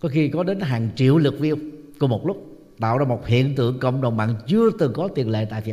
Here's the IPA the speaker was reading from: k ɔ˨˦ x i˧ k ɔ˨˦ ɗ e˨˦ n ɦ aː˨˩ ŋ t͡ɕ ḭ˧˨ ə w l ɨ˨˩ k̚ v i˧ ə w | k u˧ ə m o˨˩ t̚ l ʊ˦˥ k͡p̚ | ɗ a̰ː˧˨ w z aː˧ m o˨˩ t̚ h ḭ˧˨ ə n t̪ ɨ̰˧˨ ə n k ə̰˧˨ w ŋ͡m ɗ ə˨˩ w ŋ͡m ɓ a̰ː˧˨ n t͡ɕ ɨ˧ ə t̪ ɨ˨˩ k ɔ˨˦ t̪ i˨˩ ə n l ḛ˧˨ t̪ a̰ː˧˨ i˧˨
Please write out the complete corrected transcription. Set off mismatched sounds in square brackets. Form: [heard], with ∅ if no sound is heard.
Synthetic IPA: k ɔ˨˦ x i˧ k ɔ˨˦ ɗ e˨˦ n ɦ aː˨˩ ŋ t͡ɕ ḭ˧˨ ə w l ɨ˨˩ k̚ v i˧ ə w | k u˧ ə m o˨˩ t̚ l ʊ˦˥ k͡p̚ | ɗ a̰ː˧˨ w z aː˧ m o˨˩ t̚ h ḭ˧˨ ə n t̪ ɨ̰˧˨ ə [ŋ] k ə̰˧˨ w ŋ͡m ɗ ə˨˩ w ŋ͡m ɓ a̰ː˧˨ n t͡ɕ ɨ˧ ə t̪ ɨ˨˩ k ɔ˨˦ t̪ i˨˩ ə n l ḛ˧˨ t̪ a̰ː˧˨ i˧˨